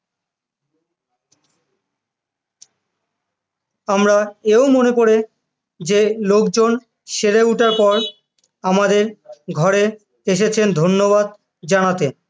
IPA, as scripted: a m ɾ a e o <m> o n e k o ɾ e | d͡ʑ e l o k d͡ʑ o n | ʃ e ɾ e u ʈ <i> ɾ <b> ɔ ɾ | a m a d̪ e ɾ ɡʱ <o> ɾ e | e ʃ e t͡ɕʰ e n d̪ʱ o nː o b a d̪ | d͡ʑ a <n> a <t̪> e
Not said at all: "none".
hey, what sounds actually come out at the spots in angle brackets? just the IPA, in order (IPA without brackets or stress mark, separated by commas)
m, a, p, ɔ, n, t̪